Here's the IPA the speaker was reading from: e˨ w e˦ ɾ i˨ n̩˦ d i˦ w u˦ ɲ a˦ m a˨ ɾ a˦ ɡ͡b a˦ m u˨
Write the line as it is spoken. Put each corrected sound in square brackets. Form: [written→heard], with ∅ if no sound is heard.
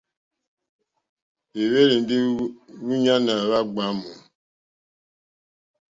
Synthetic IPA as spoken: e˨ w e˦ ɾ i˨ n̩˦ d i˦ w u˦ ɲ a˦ [m→n] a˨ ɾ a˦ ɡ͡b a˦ m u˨